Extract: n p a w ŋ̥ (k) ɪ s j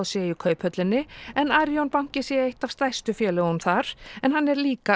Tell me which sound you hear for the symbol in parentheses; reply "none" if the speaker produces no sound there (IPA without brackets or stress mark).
c